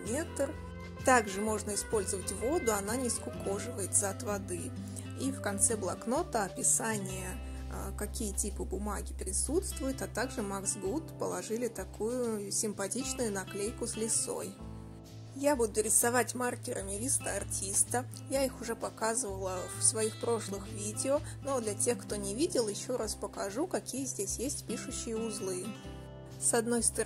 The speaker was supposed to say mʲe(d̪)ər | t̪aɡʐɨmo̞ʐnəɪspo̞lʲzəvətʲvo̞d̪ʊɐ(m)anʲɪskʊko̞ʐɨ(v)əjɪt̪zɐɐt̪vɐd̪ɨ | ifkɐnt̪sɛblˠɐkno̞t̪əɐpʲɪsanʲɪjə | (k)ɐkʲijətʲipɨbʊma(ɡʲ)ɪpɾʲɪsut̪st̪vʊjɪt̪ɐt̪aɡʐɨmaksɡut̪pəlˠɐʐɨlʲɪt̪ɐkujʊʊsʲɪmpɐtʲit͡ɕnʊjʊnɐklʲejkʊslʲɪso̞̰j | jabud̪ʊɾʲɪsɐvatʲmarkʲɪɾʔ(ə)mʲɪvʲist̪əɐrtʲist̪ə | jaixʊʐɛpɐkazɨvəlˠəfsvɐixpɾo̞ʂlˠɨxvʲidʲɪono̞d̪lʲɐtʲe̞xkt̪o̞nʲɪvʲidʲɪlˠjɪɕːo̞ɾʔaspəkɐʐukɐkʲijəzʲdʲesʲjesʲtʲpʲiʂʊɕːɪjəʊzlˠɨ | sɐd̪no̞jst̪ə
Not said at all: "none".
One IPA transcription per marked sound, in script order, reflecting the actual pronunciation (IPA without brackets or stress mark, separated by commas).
t̪, n, v, k, ɡʲ, ə